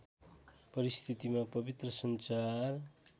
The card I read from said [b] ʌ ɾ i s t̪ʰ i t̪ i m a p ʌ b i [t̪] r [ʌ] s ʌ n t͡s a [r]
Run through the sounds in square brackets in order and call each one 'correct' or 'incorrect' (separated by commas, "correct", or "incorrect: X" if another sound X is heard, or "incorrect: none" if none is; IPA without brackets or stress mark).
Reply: incorrect: p, correct, correct, correct